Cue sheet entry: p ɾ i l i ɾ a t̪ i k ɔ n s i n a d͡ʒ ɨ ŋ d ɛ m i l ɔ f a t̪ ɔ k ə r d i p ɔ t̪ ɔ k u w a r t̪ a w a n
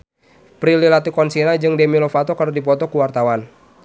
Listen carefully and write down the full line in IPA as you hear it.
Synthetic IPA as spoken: p ɾ i l i l a t̪ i k ɔ n s i n a d͡ʒ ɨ ŋ d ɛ m i l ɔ f a t̪ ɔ k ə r d i p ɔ t̪ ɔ k u w a r t̪ a w a n